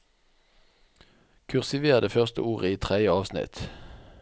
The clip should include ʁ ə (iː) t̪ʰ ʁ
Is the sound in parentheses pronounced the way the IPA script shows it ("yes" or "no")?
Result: yes